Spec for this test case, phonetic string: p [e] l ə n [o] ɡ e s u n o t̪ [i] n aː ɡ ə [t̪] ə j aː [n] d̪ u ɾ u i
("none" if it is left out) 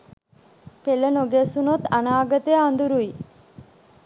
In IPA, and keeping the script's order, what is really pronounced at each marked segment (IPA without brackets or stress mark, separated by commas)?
e, o, a, t̪, n